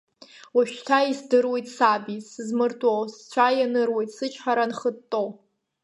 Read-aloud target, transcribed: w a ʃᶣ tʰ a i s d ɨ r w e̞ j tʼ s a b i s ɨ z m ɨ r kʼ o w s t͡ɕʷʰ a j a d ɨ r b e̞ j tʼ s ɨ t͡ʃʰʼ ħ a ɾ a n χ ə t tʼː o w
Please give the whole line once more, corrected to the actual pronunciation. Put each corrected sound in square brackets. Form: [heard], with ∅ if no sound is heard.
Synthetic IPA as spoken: w a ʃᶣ tʰ a i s d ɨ r w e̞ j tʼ s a b i s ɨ z m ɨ r [tʼ] o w s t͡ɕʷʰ a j a [n] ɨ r [w] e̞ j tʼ s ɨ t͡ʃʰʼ ħ a ɾ a n χ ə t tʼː o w